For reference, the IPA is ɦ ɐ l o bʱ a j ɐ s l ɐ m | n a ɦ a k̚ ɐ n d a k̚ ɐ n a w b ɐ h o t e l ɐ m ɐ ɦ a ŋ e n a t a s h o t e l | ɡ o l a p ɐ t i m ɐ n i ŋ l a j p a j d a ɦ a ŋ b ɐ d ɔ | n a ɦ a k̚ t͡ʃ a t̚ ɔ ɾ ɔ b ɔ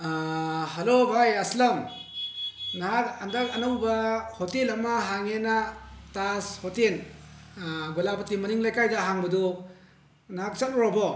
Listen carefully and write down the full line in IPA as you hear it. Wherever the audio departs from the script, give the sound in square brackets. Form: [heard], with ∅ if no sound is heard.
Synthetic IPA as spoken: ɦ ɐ l o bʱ a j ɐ s l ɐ m | n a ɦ a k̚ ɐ n d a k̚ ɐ n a w b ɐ h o t e l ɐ m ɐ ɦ a ŋ e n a t a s h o t e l | ɡ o l a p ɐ t i m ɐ n i ŋ l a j [k] a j d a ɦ a ŋ b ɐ d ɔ | n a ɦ a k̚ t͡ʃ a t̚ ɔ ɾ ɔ b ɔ